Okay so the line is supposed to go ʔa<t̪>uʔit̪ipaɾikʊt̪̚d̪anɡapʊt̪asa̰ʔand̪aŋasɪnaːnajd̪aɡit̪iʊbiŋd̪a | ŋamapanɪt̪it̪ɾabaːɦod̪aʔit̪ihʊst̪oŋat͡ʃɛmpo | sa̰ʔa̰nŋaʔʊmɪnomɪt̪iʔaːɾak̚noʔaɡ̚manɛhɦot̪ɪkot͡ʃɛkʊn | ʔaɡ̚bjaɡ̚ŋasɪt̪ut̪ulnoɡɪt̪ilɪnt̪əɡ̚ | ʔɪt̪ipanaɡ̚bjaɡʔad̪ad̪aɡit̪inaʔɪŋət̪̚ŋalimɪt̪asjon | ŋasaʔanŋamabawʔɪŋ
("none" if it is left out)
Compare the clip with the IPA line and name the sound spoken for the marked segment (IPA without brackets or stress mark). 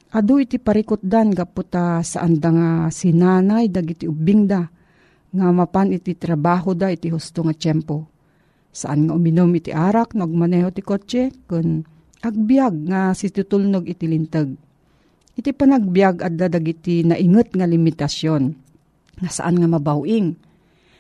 d̪